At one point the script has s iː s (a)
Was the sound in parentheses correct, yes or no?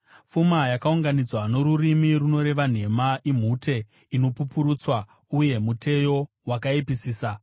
yes